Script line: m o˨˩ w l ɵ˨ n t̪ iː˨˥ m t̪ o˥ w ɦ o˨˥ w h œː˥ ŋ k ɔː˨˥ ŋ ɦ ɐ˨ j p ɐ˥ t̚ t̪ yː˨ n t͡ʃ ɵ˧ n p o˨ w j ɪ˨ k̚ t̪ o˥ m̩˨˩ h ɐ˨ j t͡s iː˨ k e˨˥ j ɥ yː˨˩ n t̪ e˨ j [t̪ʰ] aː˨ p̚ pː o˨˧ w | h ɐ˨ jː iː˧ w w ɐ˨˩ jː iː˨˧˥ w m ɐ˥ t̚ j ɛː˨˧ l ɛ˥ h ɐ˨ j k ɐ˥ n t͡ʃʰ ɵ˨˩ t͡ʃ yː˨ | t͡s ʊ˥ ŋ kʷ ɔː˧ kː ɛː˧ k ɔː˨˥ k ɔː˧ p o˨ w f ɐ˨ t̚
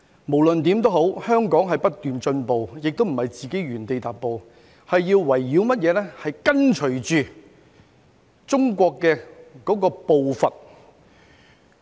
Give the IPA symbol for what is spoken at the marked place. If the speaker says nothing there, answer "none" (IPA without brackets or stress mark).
t̪